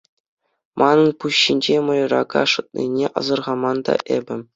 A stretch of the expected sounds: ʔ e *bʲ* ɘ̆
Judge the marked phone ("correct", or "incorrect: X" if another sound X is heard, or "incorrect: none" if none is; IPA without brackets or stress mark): correct